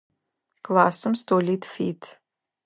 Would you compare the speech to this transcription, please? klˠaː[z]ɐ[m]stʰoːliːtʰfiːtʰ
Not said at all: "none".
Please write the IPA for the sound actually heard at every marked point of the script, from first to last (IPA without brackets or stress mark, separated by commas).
s, m